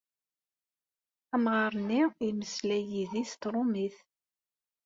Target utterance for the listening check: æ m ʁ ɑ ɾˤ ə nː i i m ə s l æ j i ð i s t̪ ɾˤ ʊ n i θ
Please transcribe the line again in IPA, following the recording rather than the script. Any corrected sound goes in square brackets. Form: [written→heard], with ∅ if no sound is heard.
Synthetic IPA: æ m ʁ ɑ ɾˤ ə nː i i m ə s l æ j i ð i s t̪ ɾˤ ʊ [n→m] i θ